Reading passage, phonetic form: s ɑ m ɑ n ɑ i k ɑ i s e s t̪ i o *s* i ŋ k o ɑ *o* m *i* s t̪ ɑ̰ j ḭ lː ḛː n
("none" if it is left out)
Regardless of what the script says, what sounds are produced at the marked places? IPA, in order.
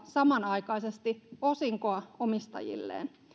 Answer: s, o, i

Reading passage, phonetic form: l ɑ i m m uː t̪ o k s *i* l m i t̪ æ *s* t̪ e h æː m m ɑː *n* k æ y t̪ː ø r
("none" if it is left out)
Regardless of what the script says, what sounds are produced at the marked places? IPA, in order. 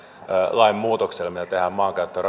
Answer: e, none, ŋ

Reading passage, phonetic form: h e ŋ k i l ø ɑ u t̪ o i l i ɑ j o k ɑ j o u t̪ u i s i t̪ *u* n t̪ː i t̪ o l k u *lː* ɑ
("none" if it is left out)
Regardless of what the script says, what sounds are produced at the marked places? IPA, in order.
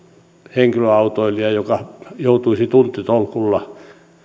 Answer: u, lː

